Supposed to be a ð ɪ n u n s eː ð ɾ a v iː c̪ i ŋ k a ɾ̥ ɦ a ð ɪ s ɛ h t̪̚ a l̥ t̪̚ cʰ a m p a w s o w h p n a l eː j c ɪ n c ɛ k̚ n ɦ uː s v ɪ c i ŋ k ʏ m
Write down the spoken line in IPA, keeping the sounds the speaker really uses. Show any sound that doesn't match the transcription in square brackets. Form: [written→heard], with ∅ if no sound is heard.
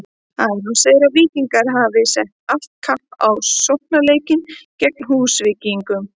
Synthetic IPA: a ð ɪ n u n s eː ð ɾ a v iː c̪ i ŋ k a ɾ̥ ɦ a [ð→v] ɪ s ɛ h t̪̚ a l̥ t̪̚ [cʰ→kʰ] a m p a w s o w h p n a l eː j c ɪ n c ɛ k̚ n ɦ uː s v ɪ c i ŋ k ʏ m